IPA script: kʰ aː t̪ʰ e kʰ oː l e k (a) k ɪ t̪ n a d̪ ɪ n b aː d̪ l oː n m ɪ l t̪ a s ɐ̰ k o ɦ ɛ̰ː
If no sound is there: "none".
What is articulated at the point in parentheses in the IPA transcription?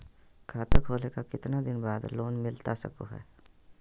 a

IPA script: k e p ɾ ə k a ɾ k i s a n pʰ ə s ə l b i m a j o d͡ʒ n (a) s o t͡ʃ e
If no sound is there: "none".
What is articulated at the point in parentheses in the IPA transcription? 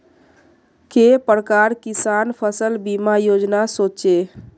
a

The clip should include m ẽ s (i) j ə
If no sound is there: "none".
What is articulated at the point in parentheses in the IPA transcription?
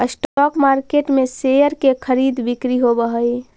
e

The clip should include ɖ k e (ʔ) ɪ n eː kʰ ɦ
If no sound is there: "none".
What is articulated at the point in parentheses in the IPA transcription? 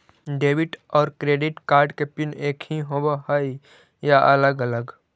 p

